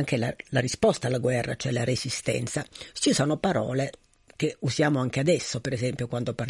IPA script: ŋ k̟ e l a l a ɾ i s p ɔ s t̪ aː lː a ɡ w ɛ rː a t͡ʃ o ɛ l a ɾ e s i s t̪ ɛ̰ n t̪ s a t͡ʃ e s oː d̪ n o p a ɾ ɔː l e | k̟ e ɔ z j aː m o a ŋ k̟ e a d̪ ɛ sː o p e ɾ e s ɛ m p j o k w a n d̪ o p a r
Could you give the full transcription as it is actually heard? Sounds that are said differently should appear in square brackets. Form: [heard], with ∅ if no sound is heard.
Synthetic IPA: ŋ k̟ e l a l a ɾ i s p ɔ s t̪ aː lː a ɡ w ɛ rː a t͡ʃ o ɛ l a ɾ e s i s t̪ ɛ̰ n t̪ s a t͡ʃ [i] s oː [∅] n o p a ɾ ɔː l e | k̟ e [u] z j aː m o a ŋ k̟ e a d̪ ɛ sː o p e ɾ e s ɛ m p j o k w a n d̪ o p a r